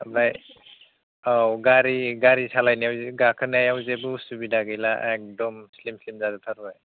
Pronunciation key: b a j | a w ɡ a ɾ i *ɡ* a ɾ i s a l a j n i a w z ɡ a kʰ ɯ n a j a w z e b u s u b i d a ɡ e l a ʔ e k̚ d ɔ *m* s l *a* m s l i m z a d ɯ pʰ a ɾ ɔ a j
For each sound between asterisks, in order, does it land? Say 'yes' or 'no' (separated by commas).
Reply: yes, yes, no